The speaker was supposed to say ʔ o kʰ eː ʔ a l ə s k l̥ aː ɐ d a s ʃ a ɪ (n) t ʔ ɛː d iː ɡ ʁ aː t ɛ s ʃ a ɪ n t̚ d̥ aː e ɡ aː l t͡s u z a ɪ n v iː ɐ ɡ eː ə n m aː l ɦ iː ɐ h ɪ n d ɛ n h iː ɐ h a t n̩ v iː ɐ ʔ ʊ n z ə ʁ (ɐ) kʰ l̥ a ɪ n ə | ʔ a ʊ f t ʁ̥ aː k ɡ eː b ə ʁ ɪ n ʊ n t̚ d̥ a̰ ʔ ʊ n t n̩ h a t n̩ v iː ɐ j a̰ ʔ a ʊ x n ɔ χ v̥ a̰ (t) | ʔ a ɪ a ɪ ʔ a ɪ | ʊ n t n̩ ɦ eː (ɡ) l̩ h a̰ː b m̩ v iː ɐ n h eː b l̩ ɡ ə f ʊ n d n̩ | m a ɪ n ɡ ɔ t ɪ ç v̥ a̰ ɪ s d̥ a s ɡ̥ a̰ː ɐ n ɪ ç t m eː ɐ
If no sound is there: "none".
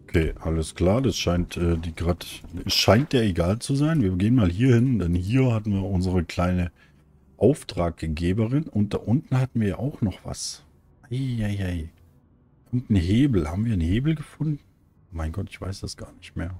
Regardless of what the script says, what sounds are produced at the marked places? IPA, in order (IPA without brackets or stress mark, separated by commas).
n, ə, s, b